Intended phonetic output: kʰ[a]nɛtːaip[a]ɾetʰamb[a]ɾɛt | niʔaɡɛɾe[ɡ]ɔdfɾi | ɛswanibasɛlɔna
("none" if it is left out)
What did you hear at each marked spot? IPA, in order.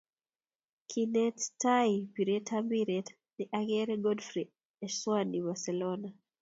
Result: i, i, i, ɡ

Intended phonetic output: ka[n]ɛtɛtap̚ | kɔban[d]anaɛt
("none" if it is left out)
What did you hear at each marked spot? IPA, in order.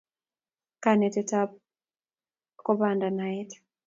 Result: n, d

